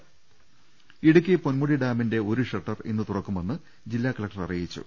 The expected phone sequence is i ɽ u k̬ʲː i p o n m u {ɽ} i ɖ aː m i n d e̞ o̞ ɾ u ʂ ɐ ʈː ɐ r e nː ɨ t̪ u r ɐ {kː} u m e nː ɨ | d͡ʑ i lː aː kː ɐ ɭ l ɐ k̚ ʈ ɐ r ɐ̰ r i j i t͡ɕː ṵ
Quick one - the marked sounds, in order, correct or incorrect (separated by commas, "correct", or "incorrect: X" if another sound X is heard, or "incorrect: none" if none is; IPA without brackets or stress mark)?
correct, correct